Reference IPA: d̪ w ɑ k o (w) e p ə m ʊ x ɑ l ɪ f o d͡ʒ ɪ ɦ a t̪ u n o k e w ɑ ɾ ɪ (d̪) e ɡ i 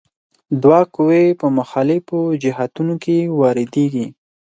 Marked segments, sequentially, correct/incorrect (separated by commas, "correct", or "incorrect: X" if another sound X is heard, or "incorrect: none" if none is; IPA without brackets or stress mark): correct, correct